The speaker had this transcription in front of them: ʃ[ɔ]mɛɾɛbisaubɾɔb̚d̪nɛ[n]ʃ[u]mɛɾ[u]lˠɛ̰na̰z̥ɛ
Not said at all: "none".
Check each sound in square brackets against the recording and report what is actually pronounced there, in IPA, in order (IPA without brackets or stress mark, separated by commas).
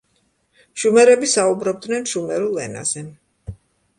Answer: u, n, u, u